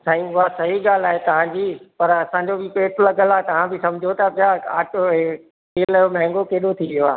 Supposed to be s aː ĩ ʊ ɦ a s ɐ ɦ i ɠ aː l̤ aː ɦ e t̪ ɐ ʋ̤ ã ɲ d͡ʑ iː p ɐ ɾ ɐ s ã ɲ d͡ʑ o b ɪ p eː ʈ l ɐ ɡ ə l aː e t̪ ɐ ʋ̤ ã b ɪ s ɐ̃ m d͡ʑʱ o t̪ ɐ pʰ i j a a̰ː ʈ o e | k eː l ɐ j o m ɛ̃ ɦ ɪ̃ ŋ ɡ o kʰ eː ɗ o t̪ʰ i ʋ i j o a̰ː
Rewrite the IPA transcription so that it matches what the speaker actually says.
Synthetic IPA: s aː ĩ ʊ ɦ a s ɐ ɦ i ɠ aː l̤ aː ɦ e t̪ ɐ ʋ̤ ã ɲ d͡ʑ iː p ɐ ɾ ɐ s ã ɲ d͡ʑ o b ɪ p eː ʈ l ɐ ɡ ə l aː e t̪ ɐ ʋ̤ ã b ɪ s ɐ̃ m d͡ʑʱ o t̪ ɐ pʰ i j a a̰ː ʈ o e | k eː l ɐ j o m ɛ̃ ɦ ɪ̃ ŋ ɡ o k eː ɗ o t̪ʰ i ʋ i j o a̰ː